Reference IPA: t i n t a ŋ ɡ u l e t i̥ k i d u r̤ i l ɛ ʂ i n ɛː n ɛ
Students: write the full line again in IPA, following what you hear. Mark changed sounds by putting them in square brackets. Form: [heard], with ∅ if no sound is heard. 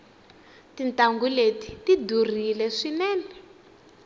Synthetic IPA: t i n t a ŋ ɡ u l e t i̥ [t] i d u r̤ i l ɛ ʂ i n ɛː n ɛ

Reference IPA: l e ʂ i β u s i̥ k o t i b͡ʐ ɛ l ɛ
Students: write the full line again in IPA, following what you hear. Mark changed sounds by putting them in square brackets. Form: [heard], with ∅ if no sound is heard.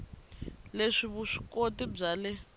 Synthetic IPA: l e ʂ i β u [ʂ] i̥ k o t i b͡ʐ [a] l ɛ

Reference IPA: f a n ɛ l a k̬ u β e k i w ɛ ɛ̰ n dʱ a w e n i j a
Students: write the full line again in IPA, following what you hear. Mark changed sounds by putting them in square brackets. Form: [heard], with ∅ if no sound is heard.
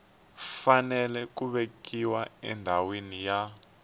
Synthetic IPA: f a n ɛ l [ɛ] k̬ u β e k i w [a] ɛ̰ n dʱ a w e n i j a

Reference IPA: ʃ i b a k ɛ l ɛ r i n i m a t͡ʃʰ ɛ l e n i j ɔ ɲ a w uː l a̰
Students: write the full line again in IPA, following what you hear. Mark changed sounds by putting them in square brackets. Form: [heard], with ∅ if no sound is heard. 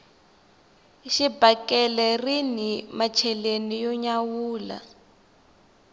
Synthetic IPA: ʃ i b a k ɛ l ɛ r i n i m a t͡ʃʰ ɛ l e n i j ɔ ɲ a w uː l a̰

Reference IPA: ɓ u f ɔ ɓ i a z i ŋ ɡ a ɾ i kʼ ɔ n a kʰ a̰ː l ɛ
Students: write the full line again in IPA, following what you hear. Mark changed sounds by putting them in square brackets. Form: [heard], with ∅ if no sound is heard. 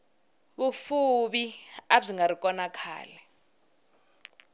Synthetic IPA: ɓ u f [u] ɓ i a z i ŋ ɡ a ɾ i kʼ ɔ n a kʰ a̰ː l ɛ

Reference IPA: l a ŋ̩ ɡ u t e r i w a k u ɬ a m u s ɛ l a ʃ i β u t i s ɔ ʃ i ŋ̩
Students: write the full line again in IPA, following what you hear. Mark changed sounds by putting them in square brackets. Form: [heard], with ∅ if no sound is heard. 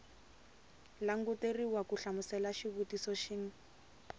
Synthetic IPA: l a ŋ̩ ɡ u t e r i w a k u ɬ a m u s ɛ l a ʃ i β u t i s ɔ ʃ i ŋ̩

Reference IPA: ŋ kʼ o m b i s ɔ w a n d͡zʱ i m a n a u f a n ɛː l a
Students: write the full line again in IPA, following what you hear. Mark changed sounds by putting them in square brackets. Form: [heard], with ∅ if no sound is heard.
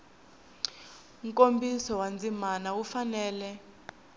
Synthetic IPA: ŋ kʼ o m b i s ɔ w a n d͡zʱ i m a n a u f a n ɛː l [ɛ]

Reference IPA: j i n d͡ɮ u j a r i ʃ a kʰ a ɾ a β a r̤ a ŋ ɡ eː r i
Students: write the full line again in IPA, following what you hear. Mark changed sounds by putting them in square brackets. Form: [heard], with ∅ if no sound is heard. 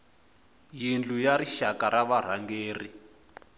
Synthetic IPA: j i n d͡ɮ u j a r i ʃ a [k] a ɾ a β a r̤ a ŋ ɡ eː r i

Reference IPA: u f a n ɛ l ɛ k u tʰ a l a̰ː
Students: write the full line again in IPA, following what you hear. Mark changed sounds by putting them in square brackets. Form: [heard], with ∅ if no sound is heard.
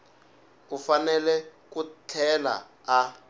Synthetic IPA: u f a n ɛ l ɛ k u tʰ [ɛ] l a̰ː

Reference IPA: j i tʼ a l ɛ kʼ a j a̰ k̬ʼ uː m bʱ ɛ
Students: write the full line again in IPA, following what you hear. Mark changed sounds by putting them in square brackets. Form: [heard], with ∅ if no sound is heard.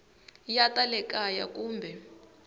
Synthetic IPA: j [a] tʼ a l ɛ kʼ a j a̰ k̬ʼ uː m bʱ ɛ

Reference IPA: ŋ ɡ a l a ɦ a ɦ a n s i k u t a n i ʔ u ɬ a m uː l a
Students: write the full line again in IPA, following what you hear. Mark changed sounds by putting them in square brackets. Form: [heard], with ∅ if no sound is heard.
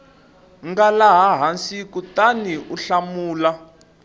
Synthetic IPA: ŋ ɡ a l a ɦ a ɦ a n s i k u t a n i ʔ u ɬ a m uː l a

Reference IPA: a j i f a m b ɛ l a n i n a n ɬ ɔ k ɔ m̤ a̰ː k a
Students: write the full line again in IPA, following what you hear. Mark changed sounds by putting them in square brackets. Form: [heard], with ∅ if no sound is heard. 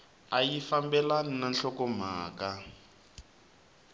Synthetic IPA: a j i f a m b ɛ l a n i n a n ɬ ɔ k ɔ m̤ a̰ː k a

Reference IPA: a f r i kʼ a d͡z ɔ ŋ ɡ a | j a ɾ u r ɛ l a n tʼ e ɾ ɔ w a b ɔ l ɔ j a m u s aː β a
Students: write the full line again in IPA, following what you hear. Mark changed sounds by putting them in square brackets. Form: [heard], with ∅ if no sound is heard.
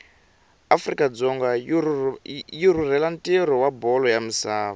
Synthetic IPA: a f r i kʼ a d͡z ɔ ŋ ɡ a | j [i] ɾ u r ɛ l a n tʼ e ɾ ɔ w a b ɔ l ɔ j a m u s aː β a

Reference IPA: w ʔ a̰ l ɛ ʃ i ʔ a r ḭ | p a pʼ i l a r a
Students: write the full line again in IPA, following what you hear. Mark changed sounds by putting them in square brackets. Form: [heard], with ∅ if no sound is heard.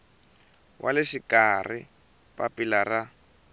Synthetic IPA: w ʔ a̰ l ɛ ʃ i [k] a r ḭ | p a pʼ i l a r a

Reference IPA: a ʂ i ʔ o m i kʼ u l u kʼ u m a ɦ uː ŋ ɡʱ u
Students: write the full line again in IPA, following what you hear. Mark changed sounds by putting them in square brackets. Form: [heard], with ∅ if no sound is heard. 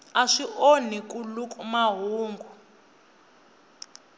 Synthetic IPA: a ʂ i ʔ o [n] i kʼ u l u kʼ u m a ɦ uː ŋ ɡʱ u

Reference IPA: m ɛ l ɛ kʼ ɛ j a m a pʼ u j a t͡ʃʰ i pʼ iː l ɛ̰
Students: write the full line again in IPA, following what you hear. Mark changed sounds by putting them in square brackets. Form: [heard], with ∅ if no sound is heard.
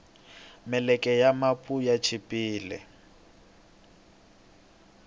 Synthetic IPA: m ɛ l ɛ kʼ ɛ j a m a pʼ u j a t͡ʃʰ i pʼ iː l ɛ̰

